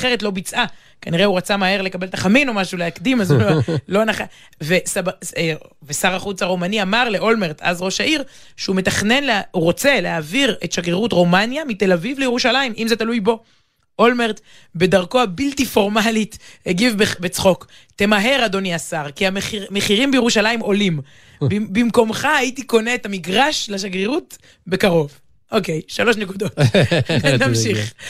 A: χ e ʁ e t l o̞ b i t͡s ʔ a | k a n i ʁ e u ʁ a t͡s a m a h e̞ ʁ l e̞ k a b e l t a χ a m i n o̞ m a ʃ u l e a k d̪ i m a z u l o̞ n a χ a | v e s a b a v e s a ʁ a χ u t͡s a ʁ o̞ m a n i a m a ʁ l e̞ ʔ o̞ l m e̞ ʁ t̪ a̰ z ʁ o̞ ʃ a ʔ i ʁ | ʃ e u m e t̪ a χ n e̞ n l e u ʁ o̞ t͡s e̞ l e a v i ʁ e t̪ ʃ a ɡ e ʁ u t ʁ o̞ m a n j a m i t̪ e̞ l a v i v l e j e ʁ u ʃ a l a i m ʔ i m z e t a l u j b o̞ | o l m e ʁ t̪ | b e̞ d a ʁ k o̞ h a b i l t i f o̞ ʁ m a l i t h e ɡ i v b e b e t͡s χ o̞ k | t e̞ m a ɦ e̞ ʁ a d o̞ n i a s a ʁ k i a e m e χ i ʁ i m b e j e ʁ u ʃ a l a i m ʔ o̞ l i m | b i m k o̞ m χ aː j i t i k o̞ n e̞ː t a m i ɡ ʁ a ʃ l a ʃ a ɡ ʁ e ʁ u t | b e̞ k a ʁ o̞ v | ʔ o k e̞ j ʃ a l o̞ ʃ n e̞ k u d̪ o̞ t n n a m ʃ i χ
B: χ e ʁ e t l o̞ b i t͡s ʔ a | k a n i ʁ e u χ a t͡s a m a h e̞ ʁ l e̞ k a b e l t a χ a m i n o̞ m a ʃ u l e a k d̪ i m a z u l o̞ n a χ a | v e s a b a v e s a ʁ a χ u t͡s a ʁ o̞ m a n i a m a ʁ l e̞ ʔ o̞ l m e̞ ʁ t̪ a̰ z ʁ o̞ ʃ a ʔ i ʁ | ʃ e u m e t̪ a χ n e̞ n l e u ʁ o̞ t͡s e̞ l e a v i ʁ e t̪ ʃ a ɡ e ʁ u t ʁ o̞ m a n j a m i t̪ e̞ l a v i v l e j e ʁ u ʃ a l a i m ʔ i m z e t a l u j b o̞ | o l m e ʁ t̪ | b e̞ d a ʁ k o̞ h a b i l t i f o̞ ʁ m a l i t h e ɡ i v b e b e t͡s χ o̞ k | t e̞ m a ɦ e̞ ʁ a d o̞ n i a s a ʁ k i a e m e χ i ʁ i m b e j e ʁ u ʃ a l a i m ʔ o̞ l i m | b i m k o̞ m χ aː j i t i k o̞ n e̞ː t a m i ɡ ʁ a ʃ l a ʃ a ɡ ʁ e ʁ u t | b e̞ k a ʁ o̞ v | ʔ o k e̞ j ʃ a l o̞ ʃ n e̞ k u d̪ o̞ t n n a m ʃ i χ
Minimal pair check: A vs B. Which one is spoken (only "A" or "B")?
A